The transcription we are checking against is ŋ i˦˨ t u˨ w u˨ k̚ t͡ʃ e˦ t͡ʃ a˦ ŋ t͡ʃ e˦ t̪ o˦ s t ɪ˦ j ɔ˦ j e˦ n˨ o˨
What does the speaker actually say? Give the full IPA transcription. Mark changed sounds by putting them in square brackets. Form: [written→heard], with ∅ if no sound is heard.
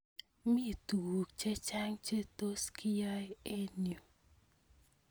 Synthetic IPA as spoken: [ŋ→m] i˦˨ t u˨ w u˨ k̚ t͡ʃ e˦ t͡ʃ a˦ ŋ t͡ʃ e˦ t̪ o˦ s [t→k] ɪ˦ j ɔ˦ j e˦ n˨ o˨